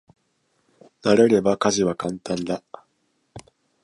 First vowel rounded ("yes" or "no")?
no